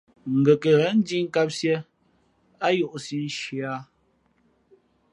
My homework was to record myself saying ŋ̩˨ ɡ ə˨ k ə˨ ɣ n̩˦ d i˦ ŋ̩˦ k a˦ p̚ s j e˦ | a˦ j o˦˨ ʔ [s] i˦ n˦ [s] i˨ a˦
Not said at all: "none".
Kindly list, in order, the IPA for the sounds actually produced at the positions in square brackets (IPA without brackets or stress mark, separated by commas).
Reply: s, ʃ